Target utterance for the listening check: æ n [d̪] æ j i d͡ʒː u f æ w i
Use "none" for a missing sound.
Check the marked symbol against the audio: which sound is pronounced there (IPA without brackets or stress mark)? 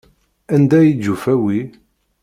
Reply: d̪